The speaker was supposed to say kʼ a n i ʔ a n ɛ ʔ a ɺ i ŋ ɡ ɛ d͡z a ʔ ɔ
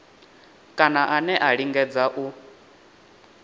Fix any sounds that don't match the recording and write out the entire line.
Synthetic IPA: kʼ a n a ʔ a n ɛ ʔ a ɺ i ŋ ɡ ɛ d͡z a ʔ u